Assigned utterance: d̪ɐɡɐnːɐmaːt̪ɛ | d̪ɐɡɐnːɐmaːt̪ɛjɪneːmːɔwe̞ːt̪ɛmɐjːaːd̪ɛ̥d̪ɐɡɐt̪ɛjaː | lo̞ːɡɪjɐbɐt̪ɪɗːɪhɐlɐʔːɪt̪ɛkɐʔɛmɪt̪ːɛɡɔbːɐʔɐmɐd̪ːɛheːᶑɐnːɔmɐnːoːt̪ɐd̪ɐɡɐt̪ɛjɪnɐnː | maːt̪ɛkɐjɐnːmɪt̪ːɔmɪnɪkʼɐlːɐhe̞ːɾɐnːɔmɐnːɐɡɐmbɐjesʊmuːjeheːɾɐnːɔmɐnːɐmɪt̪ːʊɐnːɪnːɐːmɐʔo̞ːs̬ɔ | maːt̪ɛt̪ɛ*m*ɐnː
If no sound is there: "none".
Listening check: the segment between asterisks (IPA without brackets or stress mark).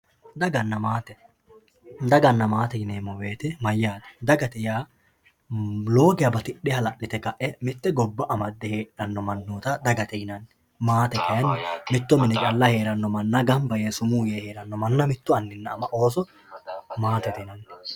n